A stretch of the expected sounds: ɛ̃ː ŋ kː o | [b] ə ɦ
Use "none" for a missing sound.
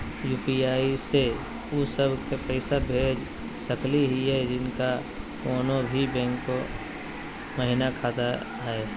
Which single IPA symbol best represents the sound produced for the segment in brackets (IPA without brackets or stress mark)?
m